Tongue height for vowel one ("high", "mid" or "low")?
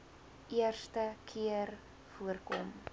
high